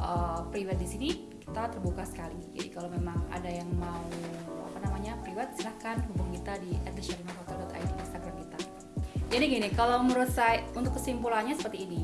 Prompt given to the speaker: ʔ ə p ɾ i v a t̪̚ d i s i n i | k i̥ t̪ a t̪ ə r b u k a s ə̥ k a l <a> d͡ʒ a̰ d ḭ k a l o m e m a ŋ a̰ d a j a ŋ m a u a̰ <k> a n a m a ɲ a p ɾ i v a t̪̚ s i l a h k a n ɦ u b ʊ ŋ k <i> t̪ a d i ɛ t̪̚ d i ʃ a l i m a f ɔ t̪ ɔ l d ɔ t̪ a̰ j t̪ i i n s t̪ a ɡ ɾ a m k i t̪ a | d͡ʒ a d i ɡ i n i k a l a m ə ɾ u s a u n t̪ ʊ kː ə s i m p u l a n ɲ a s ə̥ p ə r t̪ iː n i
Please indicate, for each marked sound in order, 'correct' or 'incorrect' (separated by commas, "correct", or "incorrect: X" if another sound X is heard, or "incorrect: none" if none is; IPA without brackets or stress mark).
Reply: incorrect: i, incorrect: p, correct